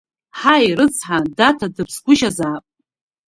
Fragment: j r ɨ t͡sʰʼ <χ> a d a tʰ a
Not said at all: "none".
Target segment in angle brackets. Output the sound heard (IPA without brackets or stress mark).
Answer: ħ